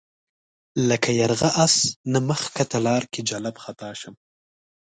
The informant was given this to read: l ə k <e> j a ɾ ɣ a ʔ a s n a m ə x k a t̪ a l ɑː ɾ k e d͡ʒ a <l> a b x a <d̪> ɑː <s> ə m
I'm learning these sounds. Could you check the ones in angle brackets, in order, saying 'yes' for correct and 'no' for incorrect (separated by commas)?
no, yes, no, no